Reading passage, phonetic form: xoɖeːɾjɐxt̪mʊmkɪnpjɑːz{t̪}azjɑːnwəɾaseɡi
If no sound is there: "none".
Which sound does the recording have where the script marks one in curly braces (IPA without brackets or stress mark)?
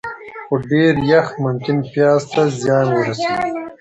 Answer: t̪